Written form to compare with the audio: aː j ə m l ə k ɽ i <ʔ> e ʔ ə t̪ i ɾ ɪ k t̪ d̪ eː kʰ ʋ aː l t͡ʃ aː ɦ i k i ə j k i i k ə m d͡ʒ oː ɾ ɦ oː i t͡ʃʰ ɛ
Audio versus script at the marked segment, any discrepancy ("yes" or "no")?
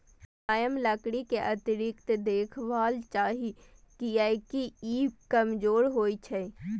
yes